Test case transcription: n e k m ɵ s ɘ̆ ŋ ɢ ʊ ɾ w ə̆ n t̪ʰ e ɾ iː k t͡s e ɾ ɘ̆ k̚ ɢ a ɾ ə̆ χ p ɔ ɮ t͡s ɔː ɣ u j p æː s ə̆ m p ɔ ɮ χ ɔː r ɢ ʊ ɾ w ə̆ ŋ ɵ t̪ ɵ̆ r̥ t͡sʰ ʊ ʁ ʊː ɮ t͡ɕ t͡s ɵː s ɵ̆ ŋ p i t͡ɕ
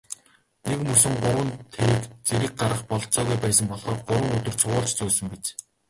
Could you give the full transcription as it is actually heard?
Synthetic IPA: n e k m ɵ s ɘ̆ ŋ ɢ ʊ ɾ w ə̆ n t̪ʰ e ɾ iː k t͡s e ɾ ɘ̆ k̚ ɢ a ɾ ə̆ χ p ɔ ɮ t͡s ɔː ɣ u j p æː s ə̆ m p ɔ ɮ χ ɔː r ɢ ʊ ɾ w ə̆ ŋ ɵ t̪ ɵ̆ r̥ t͡sʰ ʊ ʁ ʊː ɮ t͡ɕ t͡s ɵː s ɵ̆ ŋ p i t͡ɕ